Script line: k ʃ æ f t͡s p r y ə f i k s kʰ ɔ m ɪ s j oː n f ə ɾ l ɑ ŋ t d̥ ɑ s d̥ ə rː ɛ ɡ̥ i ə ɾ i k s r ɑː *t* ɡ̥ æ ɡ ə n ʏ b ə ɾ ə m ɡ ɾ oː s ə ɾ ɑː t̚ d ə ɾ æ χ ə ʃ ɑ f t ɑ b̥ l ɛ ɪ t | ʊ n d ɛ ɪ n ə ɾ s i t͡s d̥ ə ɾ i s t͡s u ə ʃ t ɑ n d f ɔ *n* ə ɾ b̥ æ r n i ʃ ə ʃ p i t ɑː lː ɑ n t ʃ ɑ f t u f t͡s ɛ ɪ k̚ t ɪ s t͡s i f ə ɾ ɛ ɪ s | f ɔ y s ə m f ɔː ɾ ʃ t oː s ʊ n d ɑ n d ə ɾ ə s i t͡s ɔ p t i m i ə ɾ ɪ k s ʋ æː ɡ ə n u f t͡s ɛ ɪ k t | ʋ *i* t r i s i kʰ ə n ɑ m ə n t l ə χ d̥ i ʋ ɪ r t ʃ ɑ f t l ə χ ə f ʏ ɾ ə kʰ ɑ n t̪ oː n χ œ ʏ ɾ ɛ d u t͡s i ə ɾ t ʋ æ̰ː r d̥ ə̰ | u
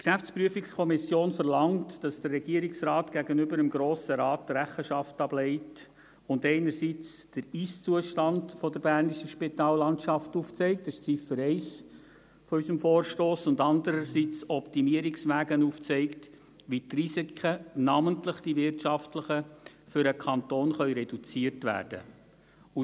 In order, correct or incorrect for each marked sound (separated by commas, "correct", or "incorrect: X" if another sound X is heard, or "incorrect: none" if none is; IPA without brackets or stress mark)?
correct, incorrect: d, correct